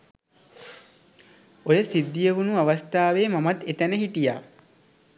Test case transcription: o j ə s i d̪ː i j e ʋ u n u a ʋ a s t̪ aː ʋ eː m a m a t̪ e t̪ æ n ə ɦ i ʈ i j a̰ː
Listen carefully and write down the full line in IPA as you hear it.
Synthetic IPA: o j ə s i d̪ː i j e ʋ u n u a ʋ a s t̪ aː ʋ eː m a m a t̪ e t̪ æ n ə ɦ i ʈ i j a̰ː